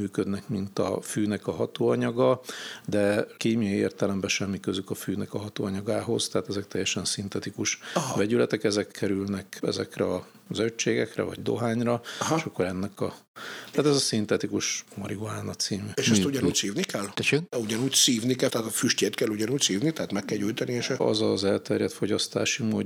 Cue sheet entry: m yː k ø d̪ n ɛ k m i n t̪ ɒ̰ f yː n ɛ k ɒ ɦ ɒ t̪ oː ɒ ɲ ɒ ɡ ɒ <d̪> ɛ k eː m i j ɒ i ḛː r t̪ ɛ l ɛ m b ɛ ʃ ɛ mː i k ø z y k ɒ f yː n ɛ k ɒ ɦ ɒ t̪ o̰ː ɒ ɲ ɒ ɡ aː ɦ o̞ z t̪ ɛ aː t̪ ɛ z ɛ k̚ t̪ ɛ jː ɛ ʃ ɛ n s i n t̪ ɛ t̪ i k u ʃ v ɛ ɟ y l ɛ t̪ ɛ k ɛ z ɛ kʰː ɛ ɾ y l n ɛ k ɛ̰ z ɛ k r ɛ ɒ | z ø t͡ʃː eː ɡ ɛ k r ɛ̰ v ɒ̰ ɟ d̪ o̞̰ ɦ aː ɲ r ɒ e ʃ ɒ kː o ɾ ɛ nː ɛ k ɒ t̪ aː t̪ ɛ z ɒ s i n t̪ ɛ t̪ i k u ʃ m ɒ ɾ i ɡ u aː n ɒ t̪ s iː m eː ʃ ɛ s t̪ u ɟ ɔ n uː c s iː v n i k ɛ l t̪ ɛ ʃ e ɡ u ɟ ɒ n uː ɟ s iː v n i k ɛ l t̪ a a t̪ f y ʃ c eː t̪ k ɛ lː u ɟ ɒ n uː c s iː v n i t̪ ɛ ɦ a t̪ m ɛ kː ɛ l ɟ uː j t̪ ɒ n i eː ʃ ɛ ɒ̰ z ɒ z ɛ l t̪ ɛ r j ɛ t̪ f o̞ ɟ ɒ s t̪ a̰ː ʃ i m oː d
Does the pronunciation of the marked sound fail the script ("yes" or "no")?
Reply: no